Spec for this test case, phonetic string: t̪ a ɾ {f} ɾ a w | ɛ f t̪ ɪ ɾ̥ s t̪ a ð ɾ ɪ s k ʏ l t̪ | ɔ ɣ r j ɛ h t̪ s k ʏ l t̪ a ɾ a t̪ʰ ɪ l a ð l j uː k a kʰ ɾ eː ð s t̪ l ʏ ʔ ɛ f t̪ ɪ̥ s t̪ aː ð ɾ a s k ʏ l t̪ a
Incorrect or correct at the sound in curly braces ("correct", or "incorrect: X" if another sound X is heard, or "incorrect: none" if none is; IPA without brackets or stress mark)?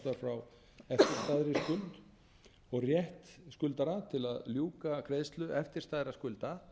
correct